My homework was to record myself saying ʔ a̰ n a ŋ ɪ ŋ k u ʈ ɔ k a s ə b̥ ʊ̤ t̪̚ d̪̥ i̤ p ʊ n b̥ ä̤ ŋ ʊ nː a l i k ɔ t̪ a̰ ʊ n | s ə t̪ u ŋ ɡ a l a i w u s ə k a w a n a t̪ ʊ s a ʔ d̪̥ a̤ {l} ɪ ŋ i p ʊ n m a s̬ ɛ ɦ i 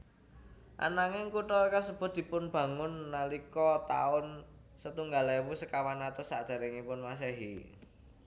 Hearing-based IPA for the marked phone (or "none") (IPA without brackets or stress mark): ɾ